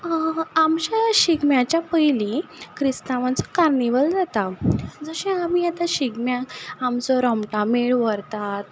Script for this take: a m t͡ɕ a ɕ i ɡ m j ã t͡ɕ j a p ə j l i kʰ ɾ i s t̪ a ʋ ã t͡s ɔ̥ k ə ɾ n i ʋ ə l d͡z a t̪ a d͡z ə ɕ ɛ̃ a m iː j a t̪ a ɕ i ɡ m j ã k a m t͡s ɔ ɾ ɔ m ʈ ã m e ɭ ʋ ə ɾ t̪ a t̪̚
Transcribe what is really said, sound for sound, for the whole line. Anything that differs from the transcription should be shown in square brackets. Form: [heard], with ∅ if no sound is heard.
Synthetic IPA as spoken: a m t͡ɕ a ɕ i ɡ m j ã t͡ɕ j a p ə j l i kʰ ɾ i s t̪ a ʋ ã t͡s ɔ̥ k [a] ɾ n i ʋ ə l d͡z a t̪ a d͡z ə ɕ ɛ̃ a m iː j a t̪ a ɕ i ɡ m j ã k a m t͡s ɔ ɾ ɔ m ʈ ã m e ɭ ʋ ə ɾ t̪ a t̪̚